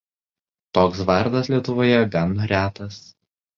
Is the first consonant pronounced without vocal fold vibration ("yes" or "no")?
yes